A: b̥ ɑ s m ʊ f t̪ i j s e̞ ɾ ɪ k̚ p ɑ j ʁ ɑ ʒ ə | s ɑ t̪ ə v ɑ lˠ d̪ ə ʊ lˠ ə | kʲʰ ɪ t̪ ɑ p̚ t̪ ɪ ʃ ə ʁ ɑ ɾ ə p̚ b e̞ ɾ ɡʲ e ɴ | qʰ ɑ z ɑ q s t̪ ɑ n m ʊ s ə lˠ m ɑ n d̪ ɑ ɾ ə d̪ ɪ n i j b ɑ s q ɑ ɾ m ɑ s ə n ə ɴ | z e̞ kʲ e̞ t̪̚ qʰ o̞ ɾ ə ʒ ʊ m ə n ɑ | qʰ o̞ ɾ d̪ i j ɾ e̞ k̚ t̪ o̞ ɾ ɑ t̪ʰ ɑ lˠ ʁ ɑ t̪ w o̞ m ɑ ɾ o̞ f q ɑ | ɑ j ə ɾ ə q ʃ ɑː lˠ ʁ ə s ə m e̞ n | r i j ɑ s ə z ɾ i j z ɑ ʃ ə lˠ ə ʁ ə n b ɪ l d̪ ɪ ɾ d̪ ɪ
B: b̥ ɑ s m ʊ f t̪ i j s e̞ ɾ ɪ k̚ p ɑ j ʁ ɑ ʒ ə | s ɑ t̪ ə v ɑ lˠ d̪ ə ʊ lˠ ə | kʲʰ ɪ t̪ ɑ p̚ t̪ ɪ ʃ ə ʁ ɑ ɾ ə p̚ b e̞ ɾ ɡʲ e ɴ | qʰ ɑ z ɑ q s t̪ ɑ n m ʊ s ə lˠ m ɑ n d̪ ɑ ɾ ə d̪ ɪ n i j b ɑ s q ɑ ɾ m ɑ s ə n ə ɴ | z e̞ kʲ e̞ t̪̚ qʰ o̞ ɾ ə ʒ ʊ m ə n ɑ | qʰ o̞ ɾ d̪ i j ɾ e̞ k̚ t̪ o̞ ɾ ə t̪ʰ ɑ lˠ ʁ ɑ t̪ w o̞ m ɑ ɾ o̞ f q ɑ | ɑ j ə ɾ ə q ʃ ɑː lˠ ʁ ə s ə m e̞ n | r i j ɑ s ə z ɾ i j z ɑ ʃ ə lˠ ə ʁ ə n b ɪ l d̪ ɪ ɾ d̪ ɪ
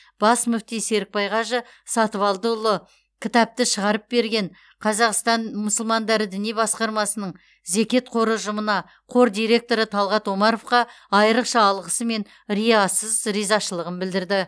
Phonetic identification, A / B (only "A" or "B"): B